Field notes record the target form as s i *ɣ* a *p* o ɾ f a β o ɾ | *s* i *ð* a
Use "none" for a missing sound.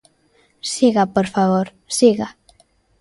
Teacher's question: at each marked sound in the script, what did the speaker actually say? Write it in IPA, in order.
ɣ, p, s, ɣ

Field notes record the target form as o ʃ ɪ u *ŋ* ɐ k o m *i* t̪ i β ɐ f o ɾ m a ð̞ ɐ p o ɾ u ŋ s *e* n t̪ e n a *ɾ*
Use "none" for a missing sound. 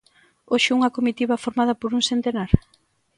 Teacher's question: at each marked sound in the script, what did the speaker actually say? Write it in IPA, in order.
ŋ, i, e, ɾ

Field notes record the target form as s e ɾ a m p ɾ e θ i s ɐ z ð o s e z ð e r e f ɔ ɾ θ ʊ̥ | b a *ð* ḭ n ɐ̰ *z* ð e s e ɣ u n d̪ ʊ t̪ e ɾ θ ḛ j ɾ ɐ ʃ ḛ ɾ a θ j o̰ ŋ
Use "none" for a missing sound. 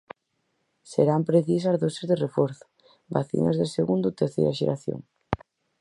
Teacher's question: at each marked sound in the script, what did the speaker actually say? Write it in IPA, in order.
θ, z

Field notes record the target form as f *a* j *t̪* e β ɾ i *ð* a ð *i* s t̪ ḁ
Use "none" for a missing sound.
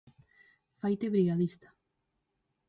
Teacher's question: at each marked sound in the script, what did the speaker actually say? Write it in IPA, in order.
a, t̪, ɣ, i

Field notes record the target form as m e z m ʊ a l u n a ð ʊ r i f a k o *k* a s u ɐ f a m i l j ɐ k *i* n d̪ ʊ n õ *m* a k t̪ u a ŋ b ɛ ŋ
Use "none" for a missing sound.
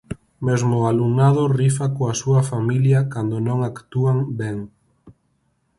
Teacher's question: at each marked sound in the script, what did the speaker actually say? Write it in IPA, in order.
none, a, ŋ

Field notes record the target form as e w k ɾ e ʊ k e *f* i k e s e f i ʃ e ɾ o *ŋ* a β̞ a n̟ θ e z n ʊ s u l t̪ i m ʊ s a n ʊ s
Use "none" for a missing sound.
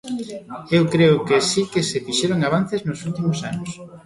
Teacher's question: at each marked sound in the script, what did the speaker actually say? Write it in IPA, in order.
s, ŋ

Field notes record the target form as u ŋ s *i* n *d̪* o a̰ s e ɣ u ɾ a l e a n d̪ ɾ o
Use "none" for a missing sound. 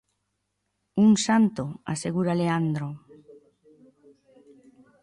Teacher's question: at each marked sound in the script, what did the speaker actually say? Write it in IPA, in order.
a, t̪

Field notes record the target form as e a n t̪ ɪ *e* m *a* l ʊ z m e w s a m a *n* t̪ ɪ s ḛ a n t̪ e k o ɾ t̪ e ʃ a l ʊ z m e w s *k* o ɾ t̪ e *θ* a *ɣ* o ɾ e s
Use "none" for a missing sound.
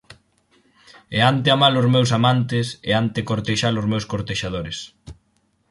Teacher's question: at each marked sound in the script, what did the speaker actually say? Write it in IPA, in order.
a, a, n, k, ʃ, ð

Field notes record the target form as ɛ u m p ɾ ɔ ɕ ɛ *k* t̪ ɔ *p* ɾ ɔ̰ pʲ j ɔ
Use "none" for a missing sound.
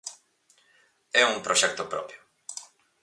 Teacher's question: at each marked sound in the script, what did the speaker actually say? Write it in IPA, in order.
k, p

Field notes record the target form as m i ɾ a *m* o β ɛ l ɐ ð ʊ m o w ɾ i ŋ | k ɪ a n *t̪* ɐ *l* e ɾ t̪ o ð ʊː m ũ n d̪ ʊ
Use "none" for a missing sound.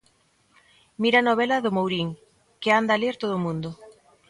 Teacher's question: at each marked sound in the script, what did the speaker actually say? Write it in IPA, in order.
n, d̪, l

